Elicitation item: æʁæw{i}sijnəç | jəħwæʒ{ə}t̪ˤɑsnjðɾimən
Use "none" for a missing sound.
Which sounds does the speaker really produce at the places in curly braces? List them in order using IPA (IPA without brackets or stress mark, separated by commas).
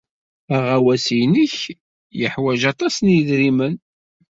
æ, ɑ